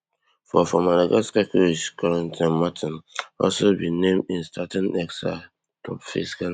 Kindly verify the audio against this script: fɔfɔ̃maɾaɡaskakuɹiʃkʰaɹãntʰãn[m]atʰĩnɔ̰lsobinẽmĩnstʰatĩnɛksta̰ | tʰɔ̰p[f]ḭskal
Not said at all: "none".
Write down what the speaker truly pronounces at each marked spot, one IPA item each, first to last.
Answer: m, f

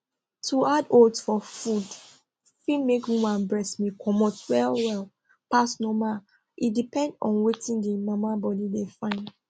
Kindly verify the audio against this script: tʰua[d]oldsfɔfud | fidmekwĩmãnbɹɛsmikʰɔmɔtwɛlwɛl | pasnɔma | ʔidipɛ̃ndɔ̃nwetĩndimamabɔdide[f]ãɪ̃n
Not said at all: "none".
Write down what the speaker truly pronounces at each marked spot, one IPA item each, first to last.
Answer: d, f

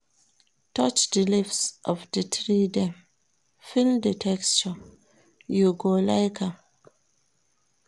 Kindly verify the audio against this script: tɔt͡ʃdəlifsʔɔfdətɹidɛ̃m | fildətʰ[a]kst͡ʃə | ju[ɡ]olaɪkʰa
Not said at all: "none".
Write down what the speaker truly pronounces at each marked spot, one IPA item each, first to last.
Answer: ɛ, ɡ

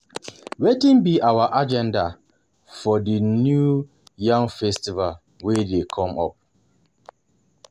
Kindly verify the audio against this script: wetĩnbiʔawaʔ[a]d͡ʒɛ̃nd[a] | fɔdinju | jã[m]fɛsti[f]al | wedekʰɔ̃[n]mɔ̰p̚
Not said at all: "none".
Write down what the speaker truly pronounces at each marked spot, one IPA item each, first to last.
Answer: a, a, ŋ, v, none

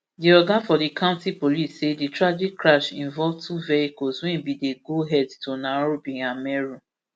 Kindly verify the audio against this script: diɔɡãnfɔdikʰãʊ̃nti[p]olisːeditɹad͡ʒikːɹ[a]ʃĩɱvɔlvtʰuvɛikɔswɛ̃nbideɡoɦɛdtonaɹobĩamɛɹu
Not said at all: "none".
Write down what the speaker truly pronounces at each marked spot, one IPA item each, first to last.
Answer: p, a

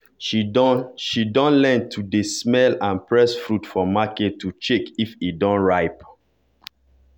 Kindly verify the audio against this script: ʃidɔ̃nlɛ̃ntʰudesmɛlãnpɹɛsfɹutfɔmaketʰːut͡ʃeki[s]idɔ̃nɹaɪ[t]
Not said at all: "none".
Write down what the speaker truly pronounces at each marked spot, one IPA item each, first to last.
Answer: f, p

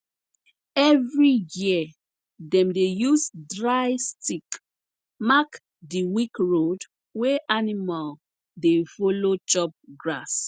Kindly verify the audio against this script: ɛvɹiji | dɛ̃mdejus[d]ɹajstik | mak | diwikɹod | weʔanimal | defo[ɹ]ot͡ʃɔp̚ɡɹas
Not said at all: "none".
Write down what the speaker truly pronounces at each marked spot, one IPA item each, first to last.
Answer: d, l

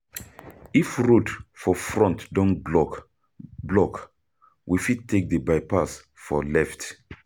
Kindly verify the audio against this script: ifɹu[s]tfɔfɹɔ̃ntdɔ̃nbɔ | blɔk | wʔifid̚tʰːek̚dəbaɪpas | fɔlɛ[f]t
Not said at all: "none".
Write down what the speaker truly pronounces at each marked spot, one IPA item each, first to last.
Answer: none, f

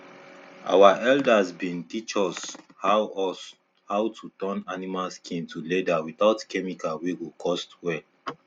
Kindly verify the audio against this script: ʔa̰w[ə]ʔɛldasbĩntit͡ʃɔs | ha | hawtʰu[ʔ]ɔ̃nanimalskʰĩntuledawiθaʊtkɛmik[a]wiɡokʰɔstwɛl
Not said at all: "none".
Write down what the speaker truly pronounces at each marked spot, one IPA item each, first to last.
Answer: a, t, a

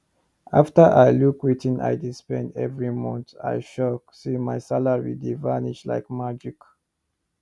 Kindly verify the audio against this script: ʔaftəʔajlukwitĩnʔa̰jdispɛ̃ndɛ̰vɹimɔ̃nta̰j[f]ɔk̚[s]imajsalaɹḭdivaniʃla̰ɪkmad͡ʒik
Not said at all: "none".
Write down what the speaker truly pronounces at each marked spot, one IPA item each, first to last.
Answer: ʃ, s

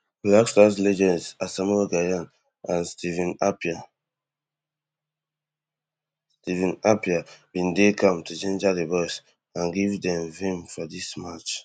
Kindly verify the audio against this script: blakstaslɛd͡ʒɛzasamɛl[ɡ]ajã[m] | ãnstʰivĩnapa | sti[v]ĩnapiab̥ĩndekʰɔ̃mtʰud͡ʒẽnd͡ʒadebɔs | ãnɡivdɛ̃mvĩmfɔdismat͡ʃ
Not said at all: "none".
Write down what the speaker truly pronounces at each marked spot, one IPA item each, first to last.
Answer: ɡ, n, v

